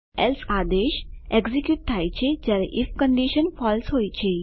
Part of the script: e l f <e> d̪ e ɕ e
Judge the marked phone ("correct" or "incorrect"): incorrect